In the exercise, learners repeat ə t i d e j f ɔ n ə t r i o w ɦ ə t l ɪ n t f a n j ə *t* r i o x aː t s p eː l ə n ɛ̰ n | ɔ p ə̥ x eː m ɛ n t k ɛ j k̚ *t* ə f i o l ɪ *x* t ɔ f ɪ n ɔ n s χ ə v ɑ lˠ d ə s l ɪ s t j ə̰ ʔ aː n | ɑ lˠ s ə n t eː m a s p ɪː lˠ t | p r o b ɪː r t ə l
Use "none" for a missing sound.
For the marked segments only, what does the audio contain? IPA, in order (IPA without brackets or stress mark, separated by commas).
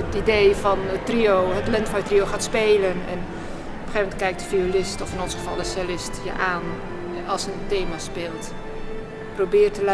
t, d, s